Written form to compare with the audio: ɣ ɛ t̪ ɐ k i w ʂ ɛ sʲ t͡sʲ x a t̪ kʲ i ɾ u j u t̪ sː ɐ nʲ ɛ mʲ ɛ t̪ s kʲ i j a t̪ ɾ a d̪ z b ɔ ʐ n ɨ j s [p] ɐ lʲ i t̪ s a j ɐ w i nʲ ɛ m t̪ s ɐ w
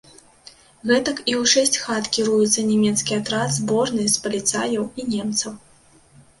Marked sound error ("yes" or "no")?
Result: no